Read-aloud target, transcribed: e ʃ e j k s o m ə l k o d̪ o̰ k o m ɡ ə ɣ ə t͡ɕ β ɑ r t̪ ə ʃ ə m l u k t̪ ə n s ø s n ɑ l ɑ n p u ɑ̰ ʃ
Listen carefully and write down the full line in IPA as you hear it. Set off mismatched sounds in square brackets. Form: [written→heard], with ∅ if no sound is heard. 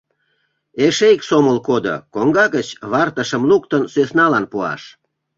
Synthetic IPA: e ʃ e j k s o m ə l k o d̪ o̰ k o [m→ŋ] ɡ [ə→ɑ] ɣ ə t͡ɕ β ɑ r t̪ ə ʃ ə m l u k t̪ ə n s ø s n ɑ l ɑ n p u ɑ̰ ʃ